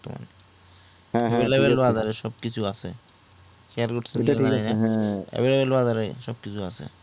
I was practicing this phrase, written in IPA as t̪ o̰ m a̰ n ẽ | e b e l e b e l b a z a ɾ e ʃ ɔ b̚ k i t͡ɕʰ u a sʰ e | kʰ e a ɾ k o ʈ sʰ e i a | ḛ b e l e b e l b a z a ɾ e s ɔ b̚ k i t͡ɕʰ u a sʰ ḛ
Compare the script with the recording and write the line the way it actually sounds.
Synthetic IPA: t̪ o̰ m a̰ n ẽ | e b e l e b e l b a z a ɾ e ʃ ɔ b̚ k i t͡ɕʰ u a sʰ e | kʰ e a ɾ k o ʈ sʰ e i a | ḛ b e l e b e l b a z a ɾ e ʃ ɔ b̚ k i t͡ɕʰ u a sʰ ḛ